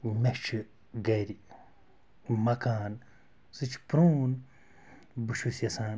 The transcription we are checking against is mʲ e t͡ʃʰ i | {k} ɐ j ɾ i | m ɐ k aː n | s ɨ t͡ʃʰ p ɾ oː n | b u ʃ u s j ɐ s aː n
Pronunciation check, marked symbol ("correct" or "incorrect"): incorrect